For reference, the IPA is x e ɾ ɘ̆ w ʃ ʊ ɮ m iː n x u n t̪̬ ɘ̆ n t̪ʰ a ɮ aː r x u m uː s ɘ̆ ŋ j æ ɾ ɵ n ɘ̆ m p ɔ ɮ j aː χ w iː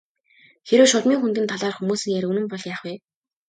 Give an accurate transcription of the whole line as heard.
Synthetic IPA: x e ɾ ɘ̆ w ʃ ʊ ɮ m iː ŋ x u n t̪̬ ɘ̆ n t̪ʰ a ɮ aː r x u m uː s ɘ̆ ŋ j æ ɾ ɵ n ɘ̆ m p ɔ ɮ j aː χ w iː